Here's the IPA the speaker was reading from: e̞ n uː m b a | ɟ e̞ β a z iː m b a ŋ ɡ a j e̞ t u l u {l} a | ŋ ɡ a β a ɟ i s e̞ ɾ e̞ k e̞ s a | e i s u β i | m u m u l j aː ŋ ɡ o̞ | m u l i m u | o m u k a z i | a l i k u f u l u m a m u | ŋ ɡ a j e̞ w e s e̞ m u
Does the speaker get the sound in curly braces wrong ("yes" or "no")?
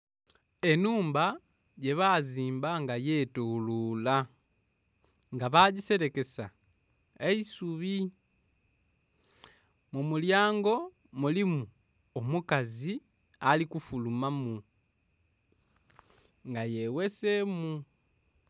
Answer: no